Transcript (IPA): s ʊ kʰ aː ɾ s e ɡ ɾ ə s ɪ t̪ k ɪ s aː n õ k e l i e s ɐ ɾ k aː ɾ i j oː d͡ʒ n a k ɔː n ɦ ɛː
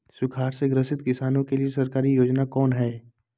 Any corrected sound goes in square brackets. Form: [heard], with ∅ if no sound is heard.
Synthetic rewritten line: s ʊ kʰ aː ɾ s e ɡ ɾ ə s ɪ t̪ k ɪ s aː n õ k e l i e s ɐ ɾ k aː ɾ i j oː d͡ʒ n a k ɔː n ɦ ɛː